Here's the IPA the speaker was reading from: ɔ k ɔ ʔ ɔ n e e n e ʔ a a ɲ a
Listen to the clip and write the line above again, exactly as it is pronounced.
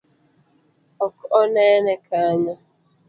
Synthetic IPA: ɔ k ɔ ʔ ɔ n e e n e k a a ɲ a